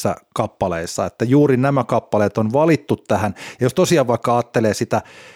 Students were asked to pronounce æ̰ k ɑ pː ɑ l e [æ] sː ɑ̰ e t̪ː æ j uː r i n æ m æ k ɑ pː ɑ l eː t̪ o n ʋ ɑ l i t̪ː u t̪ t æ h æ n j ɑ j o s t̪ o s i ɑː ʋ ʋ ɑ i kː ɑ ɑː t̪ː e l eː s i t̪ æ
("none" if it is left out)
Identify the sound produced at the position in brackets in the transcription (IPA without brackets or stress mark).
i